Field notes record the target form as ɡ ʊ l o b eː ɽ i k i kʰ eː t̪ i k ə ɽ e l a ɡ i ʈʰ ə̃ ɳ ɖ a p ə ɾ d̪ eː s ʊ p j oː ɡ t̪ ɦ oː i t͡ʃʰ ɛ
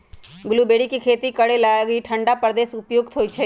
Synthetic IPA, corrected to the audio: ɡ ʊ l u b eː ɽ i k i kʰ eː t̪ i k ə ɽ e l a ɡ i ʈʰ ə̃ ɳ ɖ a p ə ɾ d̪ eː s ʊ p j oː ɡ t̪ ɦ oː i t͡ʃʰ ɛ